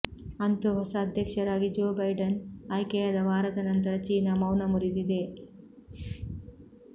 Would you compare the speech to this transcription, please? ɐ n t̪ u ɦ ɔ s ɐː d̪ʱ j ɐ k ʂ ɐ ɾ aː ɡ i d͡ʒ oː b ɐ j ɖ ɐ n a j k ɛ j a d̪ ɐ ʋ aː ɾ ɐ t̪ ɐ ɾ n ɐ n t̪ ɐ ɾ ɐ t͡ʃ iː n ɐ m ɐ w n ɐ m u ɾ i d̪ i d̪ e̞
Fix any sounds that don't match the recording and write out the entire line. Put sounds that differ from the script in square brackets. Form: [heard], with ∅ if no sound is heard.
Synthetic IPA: ɐ n t̪ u ɦ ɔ s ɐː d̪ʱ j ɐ k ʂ ɐ ɾ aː ɡ i d͡ʒ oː b ɐ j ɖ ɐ n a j k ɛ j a d̪ ɐ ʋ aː ɾ ɐ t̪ ɐ [∅] n ɐ n t̪ ɐ ɾ ɐ t͡ʃ iː n ɐ m ɐ w n ɐ m u ɾ i d̪ i d̪ e̞